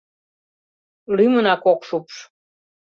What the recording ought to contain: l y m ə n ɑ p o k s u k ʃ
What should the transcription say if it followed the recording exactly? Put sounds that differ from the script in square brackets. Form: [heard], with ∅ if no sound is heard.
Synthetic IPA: l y m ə n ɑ [k] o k [ʃ] u [p] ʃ